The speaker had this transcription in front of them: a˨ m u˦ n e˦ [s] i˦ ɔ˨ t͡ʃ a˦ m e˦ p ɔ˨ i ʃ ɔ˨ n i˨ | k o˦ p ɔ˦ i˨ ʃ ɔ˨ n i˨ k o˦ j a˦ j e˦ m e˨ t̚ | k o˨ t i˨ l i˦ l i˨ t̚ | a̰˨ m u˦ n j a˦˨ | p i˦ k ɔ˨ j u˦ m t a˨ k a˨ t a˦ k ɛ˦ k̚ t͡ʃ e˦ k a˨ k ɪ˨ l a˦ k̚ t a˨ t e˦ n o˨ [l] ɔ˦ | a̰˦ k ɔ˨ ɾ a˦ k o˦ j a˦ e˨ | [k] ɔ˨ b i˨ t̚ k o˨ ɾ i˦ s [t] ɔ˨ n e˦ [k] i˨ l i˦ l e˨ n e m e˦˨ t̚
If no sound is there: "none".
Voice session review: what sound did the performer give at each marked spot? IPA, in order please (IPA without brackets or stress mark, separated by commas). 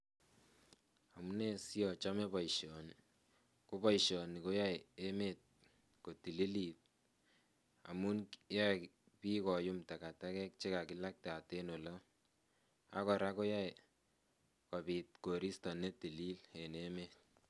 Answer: s, l, k, t, t